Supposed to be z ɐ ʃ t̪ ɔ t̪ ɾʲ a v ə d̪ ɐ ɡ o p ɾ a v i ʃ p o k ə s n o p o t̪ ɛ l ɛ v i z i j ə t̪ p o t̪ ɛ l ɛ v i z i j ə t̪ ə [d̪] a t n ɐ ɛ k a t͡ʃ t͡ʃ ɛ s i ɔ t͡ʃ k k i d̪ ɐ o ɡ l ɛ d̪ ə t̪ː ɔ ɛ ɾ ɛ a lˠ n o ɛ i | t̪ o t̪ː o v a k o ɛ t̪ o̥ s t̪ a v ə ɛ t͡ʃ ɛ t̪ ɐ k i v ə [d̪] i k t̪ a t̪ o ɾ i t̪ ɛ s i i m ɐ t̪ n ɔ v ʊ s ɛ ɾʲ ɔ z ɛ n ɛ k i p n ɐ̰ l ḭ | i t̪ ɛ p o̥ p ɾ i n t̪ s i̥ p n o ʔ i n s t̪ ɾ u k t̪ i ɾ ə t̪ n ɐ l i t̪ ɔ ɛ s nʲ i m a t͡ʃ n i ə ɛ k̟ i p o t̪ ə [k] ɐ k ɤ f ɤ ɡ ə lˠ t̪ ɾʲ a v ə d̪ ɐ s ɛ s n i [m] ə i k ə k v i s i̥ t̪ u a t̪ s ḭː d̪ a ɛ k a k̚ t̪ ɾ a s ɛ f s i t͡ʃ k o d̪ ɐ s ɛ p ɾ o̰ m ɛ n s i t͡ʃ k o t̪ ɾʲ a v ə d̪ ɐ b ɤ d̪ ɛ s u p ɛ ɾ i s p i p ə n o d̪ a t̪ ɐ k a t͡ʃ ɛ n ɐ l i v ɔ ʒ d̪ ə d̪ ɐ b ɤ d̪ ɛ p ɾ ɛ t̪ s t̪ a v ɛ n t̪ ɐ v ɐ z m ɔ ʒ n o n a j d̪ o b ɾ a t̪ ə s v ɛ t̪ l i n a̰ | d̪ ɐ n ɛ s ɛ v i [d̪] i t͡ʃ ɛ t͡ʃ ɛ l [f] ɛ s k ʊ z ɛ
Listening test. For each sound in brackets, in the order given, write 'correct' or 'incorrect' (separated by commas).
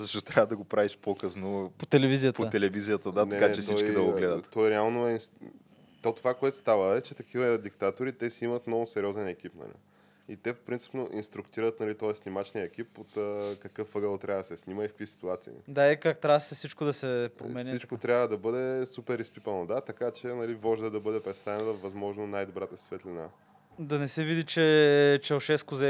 correct, correct, correct, correct, correct, incorrect